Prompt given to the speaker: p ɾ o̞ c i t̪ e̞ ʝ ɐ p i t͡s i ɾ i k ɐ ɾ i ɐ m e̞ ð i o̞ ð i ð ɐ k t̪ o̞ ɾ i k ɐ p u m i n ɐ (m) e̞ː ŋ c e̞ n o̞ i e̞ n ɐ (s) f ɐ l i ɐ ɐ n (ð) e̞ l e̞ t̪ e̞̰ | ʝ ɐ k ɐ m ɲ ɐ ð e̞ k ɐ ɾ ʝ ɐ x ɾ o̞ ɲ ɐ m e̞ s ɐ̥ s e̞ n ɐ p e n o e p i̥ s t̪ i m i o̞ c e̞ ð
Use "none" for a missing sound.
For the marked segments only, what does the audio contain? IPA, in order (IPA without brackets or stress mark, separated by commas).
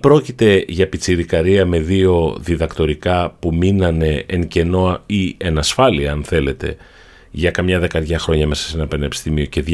n, s, θ